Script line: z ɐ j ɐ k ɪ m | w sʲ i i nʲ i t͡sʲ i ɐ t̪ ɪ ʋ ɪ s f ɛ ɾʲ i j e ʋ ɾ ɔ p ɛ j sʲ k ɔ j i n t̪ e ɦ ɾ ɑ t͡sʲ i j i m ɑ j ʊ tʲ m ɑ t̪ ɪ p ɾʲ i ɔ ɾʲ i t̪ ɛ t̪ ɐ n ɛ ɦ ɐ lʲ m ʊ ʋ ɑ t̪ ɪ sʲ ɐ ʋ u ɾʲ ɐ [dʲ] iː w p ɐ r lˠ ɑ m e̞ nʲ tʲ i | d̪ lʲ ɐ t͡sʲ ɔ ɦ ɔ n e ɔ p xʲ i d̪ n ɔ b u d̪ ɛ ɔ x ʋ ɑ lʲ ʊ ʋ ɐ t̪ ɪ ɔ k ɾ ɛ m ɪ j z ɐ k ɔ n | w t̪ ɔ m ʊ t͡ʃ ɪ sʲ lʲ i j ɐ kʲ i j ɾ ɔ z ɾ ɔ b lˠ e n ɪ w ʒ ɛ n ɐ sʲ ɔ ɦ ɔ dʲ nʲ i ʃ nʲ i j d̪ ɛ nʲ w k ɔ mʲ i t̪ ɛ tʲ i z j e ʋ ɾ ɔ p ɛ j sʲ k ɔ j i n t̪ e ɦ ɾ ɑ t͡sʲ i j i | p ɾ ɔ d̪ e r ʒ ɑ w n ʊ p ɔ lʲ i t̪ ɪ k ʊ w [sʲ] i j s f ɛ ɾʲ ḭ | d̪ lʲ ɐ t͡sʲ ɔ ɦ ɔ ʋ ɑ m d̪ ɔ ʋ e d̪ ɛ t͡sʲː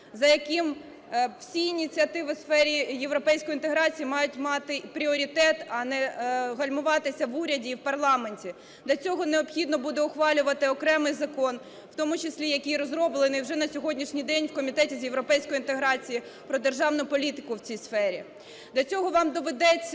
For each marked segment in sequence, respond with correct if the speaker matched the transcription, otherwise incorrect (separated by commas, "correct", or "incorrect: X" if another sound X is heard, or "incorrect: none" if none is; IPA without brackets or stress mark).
correct, incorrect: t͡sʲ